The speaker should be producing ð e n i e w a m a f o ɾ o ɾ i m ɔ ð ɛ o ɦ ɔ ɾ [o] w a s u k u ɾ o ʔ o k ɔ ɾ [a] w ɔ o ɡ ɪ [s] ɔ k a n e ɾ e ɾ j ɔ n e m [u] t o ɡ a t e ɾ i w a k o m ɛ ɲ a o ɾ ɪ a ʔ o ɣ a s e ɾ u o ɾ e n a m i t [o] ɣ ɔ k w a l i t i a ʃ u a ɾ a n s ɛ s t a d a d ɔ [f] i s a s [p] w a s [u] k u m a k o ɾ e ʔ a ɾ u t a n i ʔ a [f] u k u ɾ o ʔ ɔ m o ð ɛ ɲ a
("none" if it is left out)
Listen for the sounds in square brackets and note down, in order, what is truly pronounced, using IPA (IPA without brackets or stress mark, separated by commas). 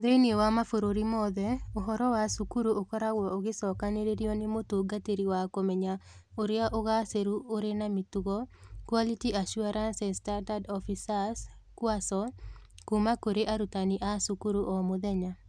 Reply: ɔ, a, s, o, u, f, k, ɔ, s